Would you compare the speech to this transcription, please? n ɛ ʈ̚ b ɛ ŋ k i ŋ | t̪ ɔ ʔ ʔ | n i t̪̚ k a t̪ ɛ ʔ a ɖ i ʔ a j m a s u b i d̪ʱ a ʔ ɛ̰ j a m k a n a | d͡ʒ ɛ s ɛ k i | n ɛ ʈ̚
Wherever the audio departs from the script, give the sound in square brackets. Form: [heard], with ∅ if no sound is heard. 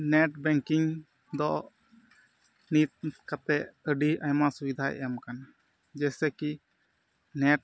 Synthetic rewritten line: n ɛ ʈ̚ b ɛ ŋ k i ŋ | [d̪] ɔ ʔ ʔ | n i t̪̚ k a t̪ ɛ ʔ [ə] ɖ i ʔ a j m a s u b i d̪ʱ a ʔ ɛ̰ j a m k a n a | d͡ʒ ɛ s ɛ k i | n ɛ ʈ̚